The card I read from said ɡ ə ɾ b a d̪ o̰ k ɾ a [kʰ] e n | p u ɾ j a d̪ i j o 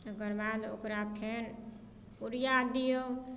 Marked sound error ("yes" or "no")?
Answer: yes